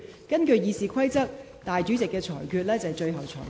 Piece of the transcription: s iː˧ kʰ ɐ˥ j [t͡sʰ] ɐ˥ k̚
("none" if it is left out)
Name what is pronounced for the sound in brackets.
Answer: t͡s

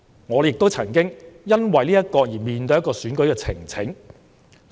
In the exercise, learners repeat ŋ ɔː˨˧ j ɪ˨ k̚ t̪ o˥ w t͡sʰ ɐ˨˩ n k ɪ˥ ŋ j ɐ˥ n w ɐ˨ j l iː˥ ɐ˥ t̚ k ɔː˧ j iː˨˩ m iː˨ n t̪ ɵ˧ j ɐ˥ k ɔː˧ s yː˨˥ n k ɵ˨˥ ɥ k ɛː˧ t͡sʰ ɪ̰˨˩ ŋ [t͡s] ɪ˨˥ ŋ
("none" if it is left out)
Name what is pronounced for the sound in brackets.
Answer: t͡sʰ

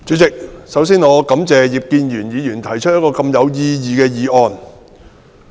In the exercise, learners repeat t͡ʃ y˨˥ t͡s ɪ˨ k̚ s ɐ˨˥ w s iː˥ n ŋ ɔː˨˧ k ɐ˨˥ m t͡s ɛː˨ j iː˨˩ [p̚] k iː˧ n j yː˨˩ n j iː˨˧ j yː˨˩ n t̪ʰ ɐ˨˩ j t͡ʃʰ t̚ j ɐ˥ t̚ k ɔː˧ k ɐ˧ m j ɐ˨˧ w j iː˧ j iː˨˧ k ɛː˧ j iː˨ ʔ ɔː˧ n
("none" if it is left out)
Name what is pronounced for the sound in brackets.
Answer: p̚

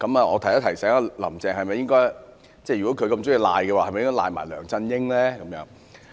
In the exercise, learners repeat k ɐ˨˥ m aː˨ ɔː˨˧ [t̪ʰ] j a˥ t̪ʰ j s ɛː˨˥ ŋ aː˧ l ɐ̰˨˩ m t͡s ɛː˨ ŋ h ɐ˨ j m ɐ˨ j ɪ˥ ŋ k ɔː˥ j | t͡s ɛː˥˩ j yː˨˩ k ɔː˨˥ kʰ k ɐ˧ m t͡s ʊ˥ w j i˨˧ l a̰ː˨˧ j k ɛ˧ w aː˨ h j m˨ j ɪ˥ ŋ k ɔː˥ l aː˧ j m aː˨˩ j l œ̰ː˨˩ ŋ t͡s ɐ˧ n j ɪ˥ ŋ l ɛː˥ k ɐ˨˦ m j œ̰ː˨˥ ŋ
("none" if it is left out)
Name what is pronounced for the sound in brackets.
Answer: t̪ʰ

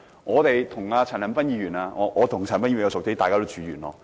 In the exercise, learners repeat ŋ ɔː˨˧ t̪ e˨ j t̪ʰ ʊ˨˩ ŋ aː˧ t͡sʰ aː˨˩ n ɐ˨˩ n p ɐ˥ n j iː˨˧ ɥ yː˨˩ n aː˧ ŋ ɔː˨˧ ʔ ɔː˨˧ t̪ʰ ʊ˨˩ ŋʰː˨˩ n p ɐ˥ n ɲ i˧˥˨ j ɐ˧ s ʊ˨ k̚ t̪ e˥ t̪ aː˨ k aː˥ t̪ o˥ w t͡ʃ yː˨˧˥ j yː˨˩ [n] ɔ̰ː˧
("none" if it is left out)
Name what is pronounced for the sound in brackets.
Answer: n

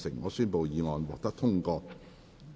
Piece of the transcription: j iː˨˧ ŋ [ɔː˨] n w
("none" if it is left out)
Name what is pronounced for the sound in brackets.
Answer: ɔː˨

